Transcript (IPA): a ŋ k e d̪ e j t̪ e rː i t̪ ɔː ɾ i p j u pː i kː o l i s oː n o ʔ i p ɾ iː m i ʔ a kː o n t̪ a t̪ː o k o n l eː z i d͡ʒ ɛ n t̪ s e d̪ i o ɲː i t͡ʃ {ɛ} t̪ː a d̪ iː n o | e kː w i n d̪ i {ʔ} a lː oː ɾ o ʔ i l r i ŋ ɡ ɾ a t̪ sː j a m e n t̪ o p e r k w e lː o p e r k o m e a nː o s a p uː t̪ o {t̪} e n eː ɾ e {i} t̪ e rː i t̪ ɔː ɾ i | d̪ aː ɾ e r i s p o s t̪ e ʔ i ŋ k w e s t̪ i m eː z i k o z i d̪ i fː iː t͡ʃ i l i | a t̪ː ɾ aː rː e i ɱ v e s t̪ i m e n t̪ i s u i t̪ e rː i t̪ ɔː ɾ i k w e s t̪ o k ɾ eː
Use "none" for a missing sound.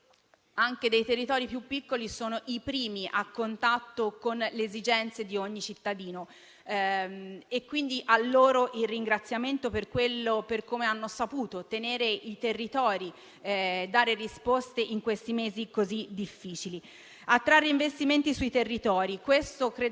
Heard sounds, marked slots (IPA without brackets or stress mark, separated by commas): i, ʔ, t̪, i